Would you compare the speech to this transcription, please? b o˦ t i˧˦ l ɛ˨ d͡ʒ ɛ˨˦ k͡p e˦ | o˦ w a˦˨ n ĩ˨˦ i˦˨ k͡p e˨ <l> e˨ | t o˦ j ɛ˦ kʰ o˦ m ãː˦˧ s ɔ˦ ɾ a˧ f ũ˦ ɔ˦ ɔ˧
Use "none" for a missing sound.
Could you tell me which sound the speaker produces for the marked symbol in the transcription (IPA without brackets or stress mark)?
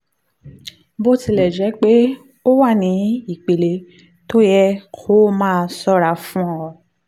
l